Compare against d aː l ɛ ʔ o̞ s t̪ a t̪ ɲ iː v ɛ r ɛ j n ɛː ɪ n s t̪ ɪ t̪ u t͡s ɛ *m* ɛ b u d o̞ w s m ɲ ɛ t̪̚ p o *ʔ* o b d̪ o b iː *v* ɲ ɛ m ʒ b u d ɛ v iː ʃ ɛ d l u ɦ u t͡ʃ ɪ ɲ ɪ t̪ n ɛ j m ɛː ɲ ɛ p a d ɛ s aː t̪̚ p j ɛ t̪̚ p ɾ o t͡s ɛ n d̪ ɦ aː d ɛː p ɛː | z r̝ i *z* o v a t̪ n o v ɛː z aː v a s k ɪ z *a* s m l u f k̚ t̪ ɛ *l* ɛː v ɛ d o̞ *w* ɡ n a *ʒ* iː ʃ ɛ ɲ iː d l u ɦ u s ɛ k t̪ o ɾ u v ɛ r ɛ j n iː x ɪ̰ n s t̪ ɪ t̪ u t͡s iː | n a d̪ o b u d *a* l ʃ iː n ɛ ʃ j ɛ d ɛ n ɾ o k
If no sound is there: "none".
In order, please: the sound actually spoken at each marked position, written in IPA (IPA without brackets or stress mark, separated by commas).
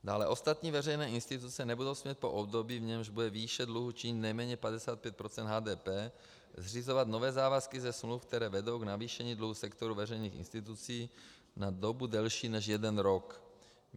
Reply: n, ʔ, v, z, ɛ, ɾ, w, v, ɛ